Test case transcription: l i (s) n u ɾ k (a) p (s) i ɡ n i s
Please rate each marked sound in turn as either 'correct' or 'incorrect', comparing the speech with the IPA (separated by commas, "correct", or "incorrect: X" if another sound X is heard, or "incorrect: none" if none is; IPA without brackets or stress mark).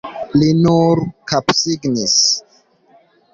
incorrect: none, correct, correct